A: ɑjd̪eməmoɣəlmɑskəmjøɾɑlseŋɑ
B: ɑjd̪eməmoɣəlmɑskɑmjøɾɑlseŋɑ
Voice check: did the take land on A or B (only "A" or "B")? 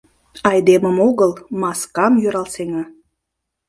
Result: B